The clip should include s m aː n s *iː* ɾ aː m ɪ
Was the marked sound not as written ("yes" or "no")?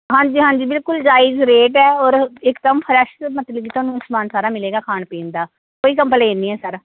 yes